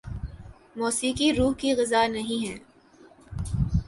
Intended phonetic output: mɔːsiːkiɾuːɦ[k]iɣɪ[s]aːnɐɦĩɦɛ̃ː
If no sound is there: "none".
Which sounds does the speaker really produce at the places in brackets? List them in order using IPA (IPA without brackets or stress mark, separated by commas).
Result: k, z